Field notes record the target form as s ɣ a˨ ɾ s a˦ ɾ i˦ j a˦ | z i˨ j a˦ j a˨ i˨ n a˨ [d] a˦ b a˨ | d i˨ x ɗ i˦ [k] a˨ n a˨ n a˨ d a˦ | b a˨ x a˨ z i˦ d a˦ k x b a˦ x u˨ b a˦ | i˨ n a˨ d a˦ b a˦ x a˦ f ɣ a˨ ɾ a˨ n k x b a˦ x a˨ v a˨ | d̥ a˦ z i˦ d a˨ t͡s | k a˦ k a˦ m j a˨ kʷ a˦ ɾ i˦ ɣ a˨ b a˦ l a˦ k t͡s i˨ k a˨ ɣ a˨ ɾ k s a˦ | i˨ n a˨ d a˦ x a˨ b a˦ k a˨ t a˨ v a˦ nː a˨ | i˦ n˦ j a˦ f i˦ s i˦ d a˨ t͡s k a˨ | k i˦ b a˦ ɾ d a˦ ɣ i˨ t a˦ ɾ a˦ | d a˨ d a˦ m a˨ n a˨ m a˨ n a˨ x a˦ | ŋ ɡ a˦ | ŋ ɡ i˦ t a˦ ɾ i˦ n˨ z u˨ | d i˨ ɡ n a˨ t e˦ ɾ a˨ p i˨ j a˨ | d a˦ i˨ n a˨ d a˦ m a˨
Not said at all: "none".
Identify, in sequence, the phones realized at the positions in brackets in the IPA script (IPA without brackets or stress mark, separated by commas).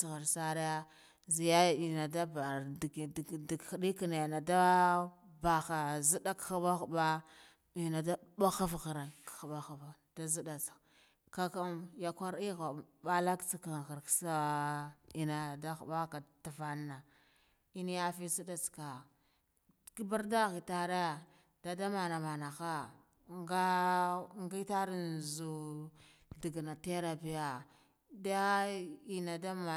d, k